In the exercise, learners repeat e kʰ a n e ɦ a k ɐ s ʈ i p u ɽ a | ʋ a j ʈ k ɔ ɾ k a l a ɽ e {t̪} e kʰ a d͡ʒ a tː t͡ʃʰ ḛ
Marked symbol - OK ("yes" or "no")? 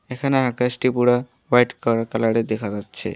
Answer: no